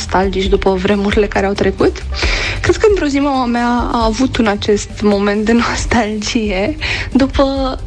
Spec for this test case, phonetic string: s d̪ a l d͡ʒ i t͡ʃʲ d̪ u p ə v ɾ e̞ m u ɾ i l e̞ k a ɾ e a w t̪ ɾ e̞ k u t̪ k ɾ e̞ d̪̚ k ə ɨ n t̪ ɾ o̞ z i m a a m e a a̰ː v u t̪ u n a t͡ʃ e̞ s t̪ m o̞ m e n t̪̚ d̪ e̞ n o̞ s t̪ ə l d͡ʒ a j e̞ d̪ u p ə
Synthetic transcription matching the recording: s t̪ a l d͡ʒ i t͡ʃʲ d̪ u p ə v ɾ e̞ m u ɾ i l e̞ k a ɾ e a w t̪ ɾ e̞ k u t̪ k ɾ e̞ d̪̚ k ə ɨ n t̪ ɾ o̞ z i m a a m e a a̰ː v u t̪ u n a t͡ʃ e̞ s t̪ m o̞ m e n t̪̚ d̪ e̞ n o̞ s t̪ a l d͡ʒ i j e̞ d̪ u p ə